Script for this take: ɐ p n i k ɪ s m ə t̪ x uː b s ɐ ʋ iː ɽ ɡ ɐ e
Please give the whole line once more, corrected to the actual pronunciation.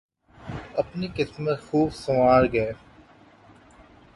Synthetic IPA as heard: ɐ p n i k ɪ s m ə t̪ x uː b s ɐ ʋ aː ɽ ɡ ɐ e